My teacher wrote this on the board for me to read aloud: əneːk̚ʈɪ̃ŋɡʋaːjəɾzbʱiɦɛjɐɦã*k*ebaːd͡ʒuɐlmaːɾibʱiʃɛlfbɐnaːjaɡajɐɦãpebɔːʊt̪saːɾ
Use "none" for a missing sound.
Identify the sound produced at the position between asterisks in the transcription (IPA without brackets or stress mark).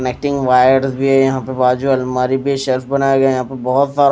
p